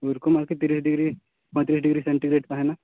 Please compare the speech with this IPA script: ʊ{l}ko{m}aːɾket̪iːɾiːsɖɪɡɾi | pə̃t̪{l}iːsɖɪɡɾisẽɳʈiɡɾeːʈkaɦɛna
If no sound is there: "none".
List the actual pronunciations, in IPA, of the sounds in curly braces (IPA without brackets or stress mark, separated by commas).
ɾ, m, ɾ